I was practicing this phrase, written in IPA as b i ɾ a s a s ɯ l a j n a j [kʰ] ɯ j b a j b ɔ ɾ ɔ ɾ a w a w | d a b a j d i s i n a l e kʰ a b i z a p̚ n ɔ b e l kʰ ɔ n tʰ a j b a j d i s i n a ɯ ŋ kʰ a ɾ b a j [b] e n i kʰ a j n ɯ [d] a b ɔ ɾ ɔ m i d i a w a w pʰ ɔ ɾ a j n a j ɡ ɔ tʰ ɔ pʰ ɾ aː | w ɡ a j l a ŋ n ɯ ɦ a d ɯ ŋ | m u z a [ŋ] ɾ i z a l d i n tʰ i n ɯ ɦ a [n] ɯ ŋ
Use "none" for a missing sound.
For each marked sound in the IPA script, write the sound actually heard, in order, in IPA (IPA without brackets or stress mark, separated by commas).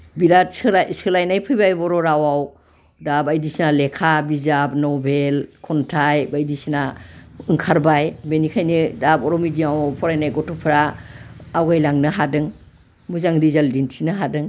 pʰ, b, d, ŋ, d